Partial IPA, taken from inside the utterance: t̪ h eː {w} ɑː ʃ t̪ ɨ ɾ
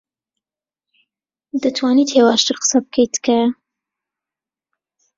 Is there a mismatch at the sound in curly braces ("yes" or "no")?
no